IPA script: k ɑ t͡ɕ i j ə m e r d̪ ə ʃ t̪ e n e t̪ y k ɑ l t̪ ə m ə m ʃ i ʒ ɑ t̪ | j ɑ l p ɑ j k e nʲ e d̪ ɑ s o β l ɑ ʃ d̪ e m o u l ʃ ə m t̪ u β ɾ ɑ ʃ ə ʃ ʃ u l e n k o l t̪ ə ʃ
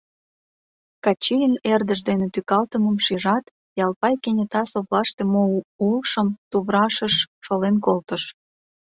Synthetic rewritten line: k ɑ t͡ɕ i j ə n e r d̪ ə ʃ d̪ e n e t̪ y k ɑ l t̪ ə m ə m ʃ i ʒ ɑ t̪ | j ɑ l p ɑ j k e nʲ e t̪ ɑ s o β l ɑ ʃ t̪ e m o u l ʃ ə m t̪ u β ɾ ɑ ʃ ə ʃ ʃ o l e n k o l t̪ ə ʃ